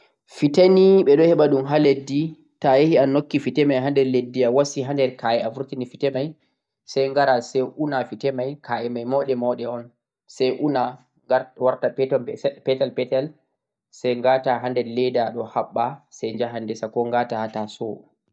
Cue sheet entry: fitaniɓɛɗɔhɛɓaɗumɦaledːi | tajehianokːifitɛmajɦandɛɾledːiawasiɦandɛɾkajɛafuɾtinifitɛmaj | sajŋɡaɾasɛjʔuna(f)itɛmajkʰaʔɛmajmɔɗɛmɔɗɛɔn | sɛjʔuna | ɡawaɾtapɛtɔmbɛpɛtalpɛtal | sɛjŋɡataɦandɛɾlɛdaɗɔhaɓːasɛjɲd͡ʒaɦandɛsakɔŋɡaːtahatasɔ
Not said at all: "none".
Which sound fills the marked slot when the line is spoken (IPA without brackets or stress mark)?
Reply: f